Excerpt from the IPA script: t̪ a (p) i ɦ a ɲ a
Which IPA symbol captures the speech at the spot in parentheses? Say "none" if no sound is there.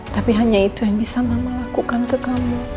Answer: p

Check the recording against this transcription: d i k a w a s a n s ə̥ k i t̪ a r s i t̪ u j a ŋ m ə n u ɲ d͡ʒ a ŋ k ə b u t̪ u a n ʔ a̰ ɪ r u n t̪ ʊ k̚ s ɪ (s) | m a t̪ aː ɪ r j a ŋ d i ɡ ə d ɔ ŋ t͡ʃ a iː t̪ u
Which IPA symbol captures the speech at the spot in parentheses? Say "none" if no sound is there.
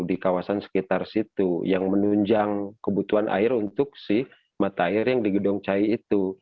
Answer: h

